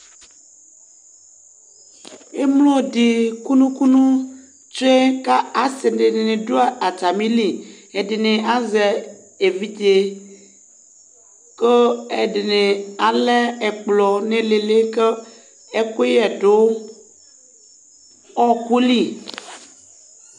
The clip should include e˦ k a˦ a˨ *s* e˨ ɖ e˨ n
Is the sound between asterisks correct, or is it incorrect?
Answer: correct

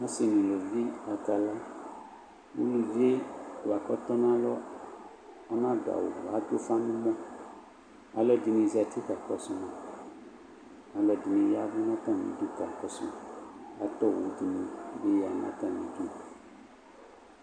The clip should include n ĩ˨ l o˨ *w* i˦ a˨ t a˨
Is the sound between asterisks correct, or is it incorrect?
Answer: incorrect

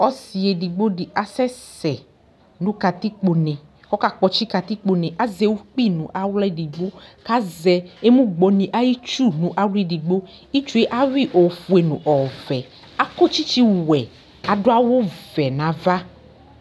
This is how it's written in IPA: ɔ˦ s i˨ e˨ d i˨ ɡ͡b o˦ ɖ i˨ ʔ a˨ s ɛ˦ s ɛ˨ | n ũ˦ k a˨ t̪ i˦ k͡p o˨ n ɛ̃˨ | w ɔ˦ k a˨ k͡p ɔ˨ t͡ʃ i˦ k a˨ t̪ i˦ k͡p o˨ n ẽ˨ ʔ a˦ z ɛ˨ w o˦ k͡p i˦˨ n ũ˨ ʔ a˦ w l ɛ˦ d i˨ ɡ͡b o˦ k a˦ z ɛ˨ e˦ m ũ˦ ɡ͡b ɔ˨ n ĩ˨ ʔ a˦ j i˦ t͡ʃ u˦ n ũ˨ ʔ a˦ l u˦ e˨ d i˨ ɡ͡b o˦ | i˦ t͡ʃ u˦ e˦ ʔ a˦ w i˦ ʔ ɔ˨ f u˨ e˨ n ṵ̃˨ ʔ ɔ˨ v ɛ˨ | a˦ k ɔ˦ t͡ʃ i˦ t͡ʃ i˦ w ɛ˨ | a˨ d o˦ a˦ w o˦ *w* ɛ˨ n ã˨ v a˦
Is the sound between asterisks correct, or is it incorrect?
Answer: incorrect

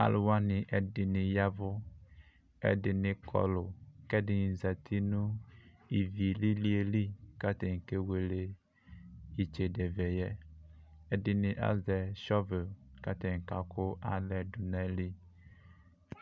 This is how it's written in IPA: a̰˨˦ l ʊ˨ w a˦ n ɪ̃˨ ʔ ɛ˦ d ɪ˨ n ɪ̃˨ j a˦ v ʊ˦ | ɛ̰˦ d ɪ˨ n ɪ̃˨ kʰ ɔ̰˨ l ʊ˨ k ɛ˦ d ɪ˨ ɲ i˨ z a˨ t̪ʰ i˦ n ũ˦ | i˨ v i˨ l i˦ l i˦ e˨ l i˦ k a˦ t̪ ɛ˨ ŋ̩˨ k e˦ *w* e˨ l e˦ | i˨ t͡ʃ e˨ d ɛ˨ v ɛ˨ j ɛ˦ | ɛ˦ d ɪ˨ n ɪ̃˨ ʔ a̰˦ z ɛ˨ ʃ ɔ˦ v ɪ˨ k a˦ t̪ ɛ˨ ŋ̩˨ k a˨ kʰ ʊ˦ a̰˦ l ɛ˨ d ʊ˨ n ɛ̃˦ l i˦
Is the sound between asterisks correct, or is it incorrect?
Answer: correct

